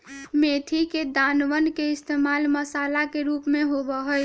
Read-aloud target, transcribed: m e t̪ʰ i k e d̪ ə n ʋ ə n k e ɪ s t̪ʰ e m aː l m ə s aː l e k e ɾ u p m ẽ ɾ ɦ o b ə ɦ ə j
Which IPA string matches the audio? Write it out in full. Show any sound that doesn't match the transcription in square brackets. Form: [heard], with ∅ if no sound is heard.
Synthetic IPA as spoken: m e t̪ʰ i k e d̪ [a] n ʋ ə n k e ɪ s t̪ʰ e m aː l m ə s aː l [a] k e ɾ u p m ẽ [∅] ɦ o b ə ɦ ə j

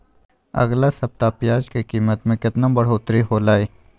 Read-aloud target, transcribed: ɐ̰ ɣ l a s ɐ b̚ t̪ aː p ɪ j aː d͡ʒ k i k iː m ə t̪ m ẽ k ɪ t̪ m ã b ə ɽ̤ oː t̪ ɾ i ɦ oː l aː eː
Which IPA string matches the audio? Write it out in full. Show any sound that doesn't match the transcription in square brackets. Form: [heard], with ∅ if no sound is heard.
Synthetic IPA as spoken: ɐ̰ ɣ l a s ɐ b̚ t̪ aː p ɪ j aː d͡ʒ k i k iː m ə t̪ m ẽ k ɪ t̪ [n] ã b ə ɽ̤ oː t̪ ɾ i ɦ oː l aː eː

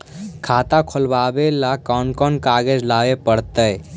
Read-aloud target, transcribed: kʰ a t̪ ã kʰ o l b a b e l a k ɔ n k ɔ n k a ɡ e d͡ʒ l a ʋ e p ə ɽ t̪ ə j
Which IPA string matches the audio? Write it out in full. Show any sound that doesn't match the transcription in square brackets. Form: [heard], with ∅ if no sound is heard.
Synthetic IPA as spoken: kʰ a t̪ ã kʰ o l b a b e l a k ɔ n k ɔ n k a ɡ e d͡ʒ l a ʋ e p ə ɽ t̪ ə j

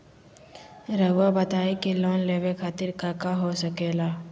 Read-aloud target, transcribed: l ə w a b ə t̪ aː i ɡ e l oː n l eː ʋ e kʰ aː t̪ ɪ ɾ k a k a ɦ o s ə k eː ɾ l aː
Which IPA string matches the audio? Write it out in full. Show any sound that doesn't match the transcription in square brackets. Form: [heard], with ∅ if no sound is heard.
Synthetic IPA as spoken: [ɾ] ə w a b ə t̪ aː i [k] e l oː n l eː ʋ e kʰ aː t̪ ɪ ɾ k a k a ɦ o s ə k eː [∅] l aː

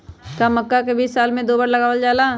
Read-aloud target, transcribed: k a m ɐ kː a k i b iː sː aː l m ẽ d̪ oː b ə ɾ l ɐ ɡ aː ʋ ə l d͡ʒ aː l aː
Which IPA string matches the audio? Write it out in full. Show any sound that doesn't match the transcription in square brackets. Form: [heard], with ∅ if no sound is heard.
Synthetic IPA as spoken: k a m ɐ kː a k [e] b iː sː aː l m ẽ d̪ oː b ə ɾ l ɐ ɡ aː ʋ ə l d͡ʒ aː l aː

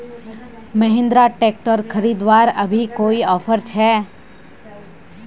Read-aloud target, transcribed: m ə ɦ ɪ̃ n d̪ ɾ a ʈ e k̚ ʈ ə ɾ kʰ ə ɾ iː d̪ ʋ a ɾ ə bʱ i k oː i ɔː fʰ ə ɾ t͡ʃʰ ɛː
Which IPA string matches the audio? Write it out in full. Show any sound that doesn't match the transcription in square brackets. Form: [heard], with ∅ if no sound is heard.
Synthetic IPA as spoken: m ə ɦ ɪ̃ n d̪ ɾ a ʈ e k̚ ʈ ə ɾ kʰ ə ɾ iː d̪ ʋ a ɾ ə bʱ i k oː i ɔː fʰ ə ɾ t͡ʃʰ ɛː

